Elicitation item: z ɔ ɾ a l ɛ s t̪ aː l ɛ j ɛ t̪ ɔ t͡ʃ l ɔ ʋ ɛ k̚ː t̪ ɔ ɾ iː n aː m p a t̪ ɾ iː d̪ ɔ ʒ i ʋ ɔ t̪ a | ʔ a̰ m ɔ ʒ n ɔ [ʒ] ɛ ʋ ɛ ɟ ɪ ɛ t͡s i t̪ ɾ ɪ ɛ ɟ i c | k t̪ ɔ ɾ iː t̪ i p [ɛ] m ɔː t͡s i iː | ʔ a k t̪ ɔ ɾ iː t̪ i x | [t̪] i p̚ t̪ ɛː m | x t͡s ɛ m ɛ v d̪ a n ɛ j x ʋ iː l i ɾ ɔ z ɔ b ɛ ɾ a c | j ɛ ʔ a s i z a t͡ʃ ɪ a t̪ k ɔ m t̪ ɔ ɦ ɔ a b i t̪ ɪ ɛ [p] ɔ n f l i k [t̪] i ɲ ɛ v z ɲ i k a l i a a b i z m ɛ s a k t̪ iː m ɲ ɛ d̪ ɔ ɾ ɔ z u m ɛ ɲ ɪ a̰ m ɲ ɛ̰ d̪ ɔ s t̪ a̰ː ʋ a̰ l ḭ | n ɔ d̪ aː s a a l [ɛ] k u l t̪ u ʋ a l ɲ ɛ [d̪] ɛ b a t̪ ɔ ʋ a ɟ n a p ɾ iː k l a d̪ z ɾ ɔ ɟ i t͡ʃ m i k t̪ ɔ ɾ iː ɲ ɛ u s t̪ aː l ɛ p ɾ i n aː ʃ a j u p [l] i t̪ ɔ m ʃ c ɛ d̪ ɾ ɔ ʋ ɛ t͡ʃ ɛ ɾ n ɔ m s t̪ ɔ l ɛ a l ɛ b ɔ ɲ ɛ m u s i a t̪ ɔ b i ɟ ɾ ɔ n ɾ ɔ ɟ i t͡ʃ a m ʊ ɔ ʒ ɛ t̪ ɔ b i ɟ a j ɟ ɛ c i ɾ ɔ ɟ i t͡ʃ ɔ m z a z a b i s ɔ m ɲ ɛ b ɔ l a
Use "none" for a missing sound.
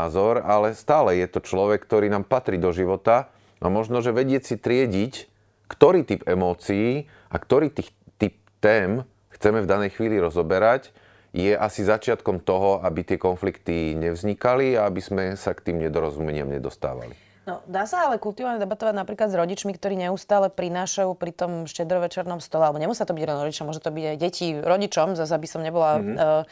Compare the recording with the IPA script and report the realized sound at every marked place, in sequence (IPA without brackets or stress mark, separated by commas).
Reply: ʒ, ɛ, t̪, k, t̪, ɛ, d̪, ɾ